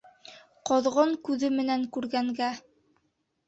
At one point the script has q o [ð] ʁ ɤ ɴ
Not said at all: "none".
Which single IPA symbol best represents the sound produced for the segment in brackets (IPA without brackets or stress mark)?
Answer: ð